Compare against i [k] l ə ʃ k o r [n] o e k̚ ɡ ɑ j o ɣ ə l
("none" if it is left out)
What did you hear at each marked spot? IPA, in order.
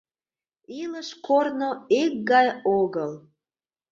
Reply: none, n

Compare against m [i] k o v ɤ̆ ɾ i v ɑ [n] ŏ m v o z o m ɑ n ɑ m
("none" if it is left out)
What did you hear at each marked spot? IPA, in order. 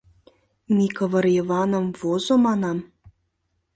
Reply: i, n

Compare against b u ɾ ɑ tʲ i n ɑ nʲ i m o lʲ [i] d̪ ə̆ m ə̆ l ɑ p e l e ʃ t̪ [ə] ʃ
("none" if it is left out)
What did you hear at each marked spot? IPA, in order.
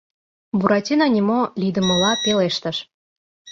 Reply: i, ə

